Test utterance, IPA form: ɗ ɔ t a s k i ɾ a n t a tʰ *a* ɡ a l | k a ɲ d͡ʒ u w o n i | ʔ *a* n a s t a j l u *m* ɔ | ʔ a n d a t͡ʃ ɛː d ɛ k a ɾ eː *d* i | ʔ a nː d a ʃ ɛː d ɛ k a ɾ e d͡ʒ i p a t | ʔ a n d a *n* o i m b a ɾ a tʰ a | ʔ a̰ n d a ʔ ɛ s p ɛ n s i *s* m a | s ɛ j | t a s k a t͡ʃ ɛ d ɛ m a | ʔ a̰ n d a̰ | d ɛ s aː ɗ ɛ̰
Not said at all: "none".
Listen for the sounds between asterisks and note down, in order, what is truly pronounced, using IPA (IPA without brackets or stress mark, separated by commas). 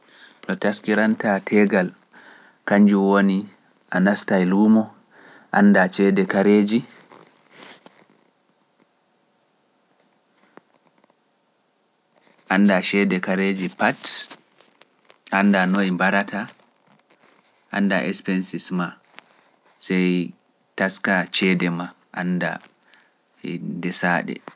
ɛ, a, m, d͡ʒ, n, s